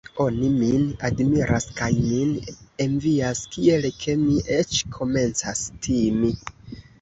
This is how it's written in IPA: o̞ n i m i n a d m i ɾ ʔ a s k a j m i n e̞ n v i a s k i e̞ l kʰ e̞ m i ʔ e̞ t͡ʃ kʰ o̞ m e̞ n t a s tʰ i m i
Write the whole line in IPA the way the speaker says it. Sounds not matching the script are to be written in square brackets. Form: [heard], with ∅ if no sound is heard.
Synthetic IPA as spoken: o̞ n i m i n a d m i ɾ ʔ a s k a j m i n e̞ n v i a s k i e̞ l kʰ e̞ m i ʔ e̞ t͡ʃ kʰ o̞ m e̞ n [t͡s] a s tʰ i m i